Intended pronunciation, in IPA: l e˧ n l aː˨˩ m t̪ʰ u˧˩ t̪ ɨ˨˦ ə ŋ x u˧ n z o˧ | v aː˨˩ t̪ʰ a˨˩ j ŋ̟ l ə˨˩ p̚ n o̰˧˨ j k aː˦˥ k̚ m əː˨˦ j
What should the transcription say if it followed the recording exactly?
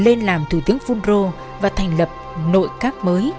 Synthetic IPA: l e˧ n l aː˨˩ m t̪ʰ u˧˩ t̪ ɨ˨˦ ə ŋ f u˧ n z o˧ | v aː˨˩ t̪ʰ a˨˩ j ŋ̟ l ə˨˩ p̚ n o̰˧˨ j k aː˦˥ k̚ m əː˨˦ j